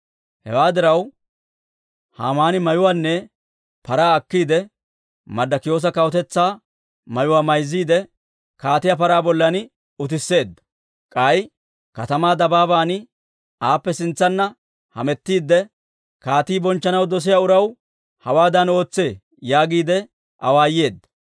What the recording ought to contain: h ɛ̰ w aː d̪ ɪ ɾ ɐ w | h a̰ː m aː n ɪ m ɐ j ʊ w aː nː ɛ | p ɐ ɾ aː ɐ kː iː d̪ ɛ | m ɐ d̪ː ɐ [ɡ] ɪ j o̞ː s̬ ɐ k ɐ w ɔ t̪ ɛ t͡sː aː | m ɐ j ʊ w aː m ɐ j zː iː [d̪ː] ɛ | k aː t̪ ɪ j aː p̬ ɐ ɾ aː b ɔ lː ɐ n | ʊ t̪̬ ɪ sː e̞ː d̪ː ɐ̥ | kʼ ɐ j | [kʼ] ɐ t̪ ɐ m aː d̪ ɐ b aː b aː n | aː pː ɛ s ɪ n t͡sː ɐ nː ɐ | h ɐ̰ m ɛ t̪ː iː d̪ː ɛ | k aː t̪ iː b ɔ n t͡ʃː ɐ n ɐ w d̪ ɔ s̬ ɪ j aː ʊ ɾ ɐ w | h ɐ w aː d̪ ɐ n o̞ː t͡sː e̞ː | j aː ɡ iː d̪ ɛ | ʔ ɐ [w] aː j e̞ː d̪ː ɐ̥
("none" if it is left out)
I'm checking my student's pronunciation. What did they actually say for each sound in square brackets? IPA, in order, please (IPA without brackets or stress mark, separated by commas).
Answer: k, d̪, k, w